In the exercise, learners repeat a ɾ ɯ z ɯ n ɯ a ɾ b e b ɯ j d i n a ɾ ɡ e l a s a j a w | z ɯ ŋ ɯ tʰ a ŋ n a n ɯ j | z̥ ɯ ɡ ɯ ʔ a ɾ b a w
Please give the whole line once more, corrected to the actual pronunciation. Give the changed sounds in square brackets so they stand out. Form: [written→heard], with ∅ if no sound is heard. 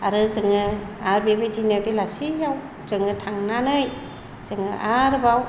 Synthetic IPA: a ɾ ɯ z ɯ [n→ŋ] ɯ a ɾ b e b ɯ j d i n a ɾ [ɡ→b] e l a s [a→i] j a w | z ɯ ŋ ɯ tʰ a ŋ n a n ɯ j | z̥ ɯ [ɡ→ŋ] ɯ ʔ a ɾ b a w

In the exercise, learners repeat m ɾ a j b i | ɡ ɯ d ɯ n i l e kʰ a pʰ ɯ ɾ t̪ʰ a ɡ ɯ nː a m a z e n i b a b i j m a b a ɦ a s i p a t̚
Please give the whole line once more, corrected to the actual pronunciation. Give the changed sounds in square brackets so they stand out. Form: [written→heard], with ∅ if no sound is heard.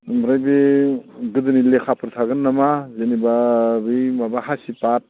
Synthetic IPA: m ɾ a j b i | ɡ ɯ d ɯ n i l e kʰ a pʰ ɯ ɾ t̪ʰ a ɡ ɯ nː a m a z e n i b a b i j m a b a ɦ a s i p a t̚

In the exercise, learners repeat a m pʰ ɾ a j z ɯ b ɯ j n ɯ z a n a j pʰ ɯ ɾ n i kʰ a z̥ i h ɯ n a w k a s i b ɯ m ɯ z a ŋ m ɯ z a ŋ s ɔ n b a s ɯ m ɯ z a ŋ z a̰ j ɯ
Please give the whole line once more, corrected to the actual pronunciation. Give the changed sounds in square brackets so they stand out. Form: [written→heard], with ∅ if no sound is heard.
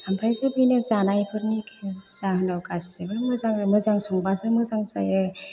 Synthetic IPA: a m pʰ ɾ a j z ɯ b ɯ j n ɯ z a n a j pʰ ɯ ɾ n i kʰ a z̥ [i→a] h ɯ n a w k a s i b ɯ m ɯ z a ŋ m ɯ z a ŋ s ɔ [n→ŋ] b a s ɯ m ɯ z a ŋ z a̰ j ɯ

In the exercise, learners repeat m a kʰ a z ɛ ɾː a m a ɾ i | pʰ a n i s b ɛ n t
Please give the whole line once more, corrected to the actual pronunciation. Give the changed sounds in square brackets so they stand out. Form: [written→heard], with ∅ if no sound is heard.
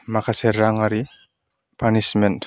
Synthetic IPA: m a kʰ a [z→s] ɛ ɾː a [m→ŋ] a ɾ i | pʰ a n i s [b→m] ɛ n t

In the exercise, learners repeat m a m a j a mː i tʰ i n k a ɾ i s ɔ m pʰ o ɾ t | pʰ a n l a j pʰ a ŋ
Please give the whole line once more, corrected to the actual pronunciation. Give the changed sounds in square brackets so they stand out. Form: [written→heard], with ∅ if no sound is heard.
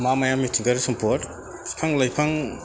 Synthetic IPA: m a m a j a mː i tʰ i [n→ŋ] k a ɾ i s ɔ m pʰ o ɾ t | pʰ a [n→ŋ] l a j pʰ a ŋ

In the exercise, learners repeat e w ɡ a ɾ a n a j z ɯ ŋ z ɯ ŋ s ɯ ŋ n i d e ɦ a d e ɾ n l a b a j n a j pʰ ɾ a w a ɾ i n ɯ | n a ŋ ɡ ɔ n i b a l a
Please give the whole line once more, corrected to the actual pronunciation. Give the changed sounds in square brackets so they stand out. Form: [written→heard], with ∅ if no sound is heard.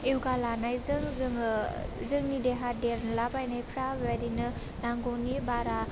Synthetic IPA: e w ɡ a [ɾ→l] a n a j z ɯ ŋ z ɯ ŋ [s→z] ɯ ŋ n i d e ɦ a d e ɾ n l a b a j n a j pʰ ɾ a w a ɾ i n ɯ | n a ŋ ɡ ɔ n i b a [l→ɾ] a

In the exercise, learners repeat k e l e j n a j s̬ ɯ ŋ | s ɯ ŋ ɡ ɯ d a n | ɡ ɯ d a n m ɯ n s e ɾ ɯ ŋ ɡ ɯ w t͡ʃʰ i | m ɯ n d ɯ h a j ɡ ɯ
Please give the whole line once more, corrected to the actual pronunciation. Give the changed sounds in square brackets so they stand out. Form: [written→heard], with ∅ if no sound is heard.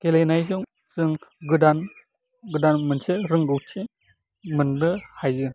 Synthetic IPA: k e l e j n a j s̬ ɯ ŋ | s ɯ ŋ ɡ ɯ d a n | ɡ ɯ d a n m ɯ n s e ɾ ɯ ŋ ɡ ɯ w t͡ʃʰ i | m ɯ n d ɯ h a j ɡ ɯ

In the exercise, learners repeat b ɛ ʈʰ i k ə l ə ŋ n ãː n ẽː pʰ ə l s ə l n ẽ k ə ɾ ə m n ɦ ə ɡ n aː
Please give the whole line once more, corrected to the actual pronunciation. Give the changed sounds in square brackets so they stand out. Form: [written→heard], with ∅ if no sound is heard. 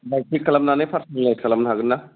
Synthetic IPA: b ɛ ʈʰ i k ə l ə [ŋ→m] n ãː n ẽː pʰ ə [l→ɾ] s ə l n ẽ k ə [ɾ→l] ə m n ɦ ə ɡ n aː

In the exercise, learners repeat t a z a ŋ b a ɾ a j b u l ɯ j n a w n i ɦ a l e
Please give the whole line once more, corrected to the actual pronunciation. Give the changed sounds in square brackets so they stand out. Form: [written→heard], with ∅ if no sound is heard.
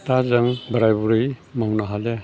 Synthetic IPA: t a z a ŋ b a ɾ a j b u [l→ɾ] ɯ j [n→m] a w n [i→a] ɦ a l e

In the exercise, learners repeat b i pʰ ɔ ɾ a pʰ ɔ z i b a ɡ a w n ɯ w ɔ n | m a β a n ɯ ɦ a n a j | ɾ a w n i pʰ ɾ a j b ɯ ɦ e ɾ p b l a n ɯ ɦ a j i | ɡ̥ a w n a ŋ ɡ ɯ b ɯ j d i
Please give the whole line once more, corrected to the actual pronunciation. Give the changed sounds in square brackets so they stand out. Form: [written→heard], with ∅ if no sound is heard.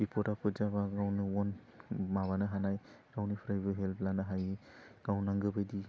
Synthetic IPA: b i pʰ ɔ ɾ a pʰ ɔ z [i→a] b a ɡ a w n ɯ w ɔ n | m a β a n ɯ ɦ a n a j | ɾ a w n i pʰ ɾ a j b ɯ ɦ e [ɾ→l] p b l a n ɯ ɦ a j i | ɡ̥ a w n a ŋ ɡ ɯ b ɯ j d i

